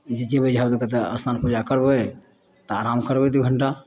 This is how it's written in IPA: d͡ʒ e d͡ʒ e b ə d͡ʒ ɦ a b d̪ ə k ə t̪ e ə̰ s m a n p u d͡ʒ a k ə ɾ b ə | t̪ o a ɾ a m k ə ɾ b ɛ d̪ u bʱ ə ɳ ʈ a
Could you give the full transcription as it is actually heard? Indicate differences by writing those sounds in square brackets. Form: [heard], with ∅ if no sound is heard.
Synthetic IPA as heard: d͡ʒ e d͡ʒ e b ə d͡ʒ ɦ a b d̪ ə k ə t̪ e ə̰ s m a n p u d͡ʒ a k ə ɾ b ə | t̪ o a ɾ a m k ə ɾ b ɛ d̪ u [ɡʱ] ə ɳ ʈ a